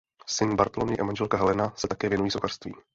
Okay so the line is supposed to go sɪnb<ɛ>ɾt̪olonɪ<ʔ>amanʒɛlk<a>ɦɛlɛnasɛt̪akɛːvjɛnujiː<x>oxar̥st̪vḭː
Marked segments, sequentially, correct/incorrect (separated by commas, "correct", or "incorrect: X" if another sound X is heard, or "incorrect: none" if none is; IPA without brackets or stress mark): incorrect: a, correct, correct, incorrect: s